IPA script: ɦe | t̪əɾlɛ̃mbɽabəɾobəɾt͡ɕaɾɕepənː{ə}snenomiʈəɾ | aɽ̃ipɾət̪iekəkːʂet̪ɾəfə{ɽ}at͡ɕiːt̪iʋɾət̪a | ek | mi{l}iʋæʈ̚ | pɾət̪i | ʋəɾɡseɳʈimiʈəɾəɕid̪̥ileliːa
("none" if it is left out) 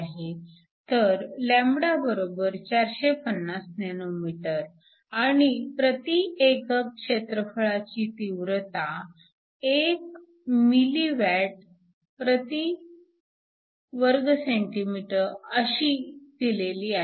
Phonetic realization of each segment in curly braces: a, ɭ, l

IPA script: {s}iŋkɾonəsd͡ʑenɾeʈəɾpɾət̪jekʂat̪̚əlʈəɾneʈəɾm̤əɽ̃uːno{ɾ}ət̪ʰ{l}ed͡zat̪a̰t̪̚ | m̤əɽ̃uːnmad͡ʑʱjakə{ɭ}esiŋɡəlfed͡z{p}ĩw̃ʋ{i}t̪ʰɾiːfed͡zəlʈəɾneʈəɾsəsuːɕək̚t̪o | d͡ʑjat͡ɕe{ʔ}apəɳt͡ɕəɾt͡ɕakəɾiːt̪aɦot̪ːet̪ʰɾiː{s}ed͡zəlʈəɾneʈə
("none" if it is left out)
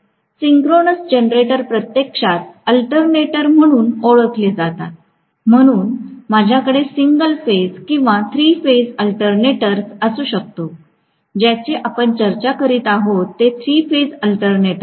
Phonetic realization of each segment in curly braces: s, ɭ, l, ɽ, k, a, ʔ, f

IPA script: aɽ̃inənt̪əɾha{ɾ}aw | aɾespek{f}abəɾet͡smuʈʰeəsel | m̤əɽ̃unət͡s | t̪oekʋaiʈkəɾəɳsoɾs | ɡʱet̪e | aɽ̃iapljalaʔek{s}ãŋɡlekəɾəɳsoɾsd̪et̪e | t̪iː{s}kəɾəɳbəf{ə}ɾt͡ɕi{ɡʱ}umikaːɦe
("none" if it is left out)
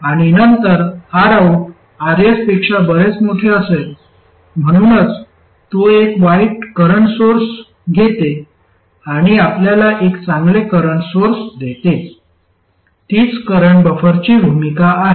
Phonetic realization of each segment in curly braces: ɾ, ʂ, t͡s, t͡s, ə, bʱ

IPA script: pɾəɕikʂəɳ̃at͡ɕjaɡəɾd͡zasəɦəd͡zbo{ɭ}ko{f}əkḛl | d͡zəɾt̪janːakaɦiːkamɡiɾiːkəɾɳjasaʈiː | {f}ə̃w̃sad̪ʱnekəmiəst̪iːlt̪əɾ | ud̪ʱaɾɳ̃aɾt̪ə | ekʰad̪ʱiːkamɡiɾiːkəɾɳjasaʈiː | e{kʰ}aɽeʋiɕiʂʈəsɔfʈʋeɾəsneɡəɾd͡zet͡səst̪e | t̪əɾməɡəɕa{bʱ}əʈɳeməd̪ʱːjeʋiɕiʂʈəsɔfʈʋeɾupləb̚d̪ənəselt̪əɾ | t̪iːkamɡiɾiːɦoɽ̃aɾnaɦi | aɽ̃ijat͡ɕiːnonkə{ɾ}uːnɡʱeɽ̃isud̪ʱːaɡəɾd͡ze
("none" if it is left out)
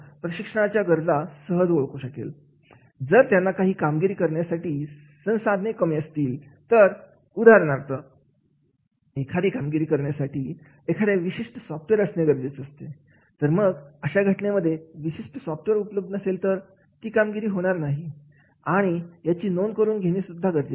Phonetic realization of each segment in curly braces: ɭ, ɕ, s, kʰ, ɡʱ, ɾ

